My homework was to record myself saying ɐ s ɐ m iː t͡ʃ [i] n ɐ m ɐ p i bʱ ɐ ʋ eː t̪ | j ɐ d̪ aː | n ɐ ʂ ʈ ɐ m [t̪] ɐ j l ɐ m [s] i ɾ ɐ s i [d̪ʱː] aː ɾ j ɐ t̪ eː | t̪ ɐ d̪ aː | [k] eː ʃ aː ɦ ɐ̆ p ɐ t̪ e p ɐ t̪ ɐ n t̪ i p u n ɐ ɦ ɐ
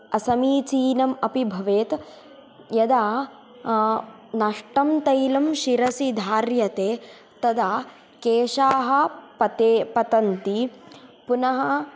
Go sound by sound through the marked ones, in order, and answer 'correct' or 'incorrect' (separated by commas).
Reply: incorrect, correct, incorrect, incorrect, correct